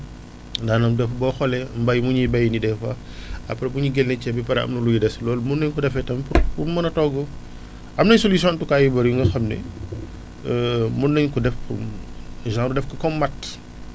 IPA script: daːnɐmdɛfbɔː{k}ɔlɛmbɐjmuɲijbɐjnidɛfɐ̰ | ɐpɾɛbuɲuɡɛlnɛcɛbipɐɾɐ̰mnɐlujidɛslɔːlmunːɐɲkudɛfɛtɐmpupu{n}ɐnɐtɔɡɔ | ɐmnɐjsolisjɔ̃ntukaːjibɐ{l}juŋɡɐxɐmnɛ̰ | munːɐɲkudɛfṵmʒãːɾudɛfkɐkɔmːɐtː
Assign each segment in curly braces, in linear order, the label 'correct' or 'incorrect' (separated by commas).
incorrect, incorrect, incorrect